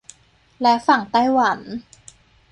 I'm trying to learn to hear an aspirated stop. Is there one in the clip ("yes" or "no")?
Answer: no